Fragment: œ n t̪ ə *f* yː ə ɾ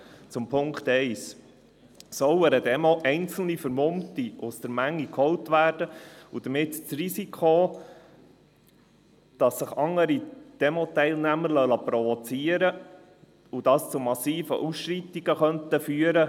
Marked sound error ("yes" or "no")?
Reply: no